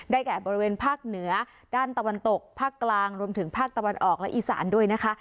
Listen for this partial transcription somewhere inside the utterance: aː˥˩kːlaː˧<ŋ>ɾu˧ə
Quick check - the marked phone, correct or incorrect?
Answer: correct